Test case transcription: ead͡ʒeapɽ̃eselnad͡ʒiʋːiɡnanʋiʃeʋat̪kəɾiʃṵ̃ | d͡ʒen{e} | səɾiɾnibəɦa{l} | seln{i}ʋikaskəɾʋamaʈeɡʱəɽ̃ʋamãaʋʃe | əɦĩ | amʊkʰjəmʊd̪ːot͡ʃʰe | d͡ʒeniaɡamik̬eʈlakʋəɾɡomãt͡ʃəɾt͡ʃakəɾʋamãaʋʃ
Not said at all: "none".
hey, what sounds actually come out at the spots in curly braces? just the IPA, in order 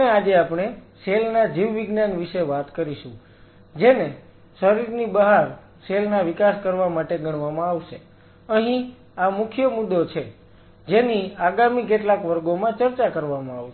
e, ɾ, a

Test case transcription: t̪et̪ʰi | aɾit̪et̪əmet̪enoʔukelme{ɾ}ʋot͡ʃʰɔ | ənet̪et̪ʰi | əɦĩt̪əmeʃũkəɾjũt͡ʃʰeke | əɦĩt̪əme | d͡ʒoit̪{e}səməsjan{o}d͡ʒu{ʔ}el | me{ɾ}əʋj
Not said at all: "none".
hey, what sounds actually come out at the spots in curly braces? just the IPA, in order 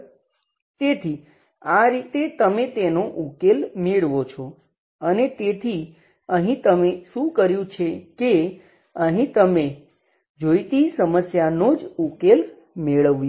ɭ, i, o, k, ɭ

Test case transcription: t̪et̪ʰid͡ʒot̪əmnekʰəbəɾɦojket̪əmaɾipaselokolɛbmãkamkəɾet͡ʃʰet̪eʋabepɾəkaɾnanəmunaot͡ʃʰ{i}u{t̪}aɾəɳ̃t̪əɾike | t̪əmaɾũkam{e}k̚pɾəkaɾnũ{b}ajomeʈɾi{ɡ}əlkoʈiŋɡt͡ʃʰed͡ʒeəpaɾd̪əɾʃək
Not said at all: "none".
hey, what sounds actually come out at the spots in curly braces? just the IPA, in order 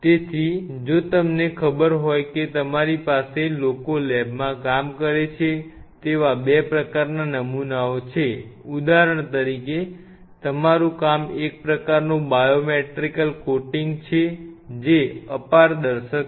e, d̪, e, b, k

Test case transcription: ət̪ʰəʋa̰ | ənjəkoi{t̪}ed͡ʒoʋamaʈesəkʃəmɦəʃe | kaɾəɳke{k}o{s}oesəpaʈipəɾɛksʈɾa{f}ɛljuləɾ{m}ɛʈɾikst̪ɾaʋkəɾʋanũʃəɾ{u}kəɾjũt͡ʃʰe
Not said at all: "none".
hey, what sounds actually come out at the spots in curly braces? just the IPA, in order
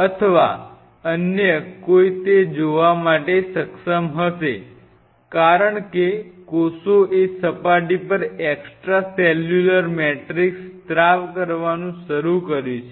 t̪, k, s, s, m, u

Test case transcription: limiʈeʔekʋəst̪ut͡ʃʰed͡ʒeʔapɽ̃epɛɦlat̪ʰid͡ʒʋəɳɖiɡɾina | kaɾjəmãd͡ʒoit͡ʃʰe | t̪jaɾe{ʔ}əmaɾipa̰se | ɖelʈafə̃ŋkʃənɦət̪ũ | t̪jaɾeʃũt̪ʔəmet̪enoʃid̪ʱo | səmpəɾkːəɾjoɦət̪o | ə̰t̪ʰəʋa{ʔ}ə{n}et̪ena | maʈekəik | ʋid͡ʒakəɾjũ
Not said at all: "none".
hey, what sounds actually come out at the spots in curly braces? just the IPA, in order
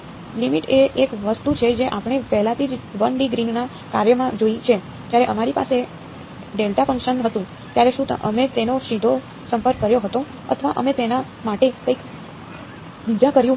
ʔ, ʔ, m

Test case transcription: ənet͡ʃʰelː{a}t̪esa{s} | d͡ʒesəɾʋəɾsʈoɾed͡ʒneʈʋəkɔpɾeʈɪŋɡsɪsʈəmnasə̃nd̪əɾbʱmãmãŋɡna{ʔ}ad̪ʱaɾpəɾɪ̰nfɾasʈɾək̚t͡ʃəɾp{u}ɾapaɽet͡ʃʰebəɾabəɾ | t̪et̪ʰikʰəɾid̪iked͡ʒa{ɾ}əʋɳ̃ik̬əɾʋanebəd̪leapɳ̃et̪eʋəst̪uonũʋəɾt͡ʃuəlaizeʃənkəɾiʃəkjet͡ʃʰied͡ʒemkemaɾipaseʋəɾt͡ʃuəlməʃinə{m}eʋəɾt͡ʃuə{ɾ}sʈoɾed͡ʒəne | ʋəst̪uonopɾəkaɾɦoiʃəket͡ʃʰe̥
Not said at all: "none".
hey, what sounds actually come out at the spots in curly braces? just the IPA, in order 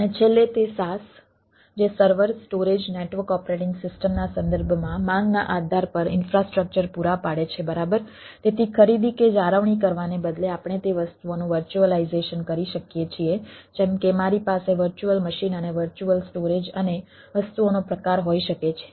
e, s, ʔ, u, ɾ, n, l

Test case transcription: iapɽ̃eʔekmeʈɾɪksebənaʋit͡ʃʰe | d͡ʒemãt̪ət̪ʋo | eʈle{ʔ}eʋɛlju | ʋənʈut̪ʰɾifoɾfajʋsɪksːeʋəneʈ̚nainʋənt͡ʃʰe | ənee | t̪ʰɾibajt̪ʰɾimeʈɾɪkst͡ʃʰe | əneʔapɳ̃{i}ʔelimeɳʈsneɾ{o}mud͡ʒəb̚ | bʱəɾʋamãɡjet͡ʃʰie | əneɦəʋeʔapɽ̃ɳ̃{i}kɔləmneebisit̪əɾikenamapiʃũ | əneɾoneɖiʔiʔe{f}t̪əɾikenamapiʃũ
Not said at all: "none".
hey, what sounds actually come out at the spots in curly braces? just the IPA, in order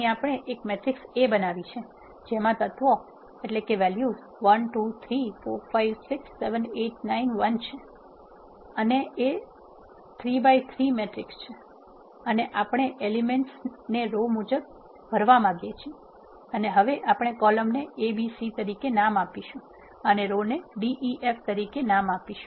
k, e, o, e, f

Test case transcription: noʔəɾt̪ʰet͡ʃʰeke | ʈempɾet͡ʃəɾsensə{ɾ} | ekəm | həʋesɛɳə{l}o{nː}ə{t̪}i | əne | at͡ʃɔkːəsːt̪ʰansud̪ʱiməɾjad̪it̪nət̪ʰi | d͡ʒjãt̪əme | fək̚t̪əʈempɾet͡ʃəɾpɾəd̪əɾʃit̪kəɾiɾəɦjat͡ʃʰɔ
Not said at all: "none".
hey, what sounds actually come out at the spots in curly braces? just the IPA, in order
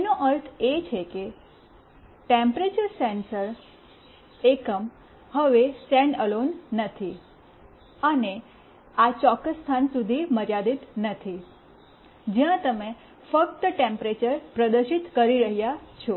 ɾ, l, nː, t̪ʰ

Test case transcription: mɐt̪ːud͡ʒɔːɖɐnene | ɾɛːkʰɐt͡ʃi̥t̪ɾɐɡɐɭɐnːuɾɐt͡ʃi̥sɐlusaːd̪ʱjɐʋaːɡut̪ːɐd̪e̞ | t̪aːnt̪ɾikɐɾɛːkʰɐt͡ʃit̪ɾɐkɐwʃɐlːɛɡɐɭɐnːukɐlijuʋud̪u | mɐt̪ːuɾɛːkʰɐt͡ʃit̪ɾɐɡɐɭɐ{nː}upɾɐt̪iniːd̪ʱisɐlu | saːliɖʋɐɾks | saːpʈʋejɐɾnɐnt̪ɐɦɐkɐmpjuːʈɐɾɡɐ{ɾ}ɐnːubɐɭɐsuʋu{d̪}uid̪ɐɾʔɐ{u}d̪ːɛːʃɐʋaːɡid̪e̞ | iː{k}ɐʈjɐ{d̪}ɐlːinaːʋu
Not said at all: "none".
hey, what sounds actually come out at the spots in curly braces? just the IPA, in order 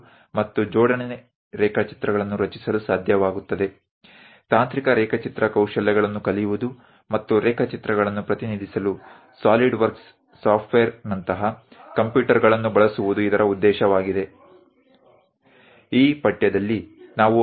nː, ɭ, d̪, u, p, d̪

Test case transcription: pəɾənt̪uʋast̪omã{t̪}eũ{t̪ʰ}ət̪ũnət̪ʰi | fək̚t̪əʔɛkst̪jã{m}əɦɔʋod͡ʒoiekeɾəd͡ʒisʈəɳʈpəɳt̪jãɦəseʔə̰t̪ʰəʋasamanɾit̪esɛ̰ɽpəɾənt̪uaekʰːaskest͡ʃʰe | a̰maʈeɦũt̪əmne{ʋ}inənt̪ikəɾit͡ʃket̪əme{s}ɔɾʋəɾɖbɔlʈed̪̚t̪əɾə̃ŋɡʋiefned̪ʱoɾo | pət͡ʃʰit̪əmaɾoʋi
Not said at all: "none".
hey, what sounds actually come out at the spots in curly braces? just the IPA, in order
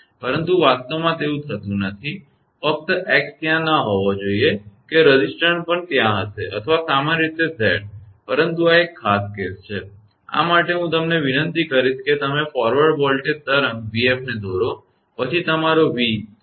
t̪, t̪ʰ, n, ʋ, f

